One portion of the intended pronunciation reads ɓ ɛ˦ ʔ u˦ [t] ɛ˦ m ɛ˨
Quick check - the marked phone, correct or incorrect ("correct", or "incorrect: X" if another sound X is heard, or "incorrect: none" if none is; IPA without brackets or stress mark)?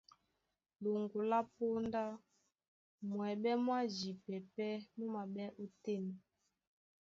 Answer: correct